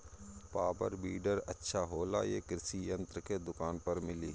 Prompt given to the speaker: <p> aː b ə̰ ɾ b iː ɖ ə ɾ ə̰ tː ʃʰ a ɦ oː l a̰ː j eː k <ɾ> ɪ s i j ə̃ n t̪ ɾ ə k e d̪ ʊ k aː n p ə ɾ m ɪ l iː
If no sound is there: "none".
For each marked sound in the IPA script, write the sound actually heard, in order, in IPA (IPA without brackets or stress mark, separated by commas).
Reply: p, ɾ